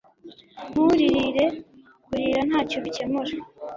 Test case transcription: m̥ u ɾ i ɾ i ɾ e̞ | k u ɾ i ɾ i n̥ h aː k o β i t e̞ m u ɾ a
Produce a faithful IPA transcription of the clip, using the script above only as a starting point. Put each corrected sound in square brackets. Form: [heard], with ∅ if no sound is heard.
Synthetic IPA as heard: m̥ u ɾ i ɾ i ɾ e̞ | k u ɾ i ɾ [a] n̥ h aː [c] o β i [c] e̞ m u ɾ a